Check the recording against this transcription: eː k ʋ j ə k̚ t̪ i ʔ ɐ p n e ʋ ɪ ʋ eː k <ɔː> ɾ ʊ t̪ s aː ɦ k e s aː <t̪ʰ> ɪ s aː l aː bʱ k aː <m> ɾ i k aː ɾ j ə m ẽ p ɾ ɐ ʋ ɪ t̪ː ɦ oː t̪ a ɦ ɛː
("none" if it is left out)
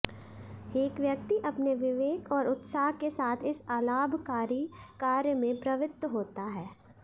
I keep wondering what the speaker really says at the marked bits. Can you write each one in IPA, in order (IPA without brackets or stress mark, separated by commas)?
ɔː, t̪ʰ, none